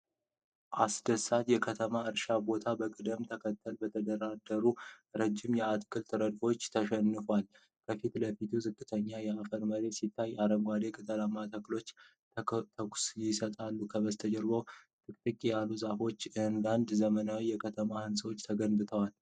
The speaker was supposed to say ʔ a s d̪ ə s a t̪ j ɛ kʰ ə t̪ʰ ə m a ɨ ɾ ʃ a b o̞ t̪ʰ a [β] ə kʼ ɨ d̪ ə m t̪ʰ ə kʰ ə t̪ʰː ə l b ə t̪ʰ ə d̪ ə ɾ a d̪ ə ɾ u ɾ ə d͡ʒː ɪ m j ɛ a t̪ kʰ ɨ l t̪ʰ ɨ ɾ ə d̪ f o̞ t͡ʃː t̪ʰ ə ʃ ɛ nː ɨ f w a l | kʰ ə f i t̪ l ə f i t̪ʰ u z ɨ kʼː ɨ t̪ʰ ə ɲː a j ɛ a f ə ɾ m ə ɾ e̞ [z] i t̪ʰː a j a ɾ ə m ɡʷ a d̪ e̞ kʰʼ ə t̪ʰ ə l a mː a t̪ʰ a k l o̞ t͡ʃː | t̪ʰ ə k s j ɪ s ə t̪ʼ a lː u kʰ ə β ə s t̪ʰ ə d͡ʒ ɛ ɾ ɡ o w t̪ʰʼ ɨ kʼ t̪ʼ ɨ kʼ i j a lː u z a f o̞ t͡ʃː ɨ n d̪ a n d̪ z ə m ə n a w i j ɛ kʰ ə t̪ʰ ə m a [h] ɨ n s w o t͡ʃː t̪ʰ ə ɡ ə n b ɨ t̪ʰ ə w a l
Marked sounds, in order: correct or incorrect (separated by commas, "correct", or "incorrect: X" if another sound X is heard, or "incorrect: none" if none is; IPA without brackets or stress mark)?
incorrect: b, incorrect: s, correct